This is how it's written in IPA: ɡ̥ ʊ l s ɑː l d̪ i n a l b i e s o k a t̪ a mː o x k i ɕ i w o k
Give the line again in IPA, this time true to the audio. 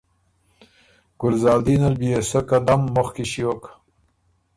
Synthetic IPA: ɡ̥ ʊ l z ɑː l d̪ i n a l b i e s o k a d̪ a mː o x k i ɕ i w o k